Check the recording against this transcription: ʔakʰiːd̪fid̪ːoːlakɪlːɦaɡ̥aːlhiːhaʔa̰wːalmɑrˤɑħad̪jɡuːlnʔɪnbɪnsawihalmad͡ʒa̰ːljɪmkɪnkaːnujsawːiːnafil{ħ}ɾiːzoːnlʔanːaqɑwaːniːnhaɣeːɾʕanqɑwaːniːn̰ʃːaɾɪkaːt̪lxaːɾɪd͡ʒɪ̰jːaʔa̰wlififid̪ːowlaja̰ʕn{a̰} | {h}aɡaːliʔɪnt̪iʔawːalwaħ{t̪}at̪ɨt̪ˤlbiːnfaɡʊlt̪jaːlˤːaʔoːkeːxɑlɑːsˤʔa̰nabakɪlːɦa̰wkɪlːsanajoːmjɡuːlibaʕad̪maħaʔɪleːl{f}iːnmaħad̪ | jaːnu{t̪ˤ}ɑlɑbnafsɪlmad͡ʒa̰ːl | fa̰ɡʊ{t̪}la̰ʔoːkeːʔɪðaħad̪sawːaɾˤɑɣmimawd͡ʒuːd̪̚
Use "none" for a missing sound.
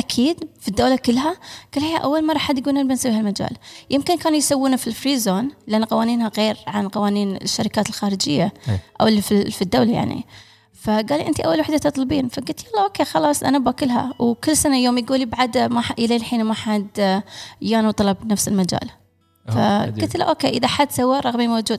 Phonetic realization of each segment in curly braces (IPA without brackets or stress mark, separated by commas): f, ḭ, f, d̪, ħ, t̪ˤ, t̪